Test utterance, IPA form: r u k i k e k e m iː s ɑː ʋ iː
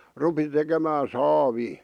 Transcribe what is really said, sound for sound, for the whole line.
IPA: r u p i t e k e m æː s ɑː ʋ iː